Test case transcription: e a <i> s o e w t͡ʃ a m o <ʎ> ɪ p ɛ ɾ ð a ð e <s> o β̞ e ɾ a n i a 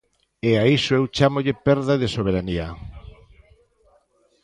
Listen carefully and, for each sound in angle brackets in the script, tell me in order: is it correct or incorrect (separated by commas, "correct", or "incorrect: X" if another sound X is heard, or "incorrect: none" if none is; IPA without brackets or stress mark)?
correct, correct, correct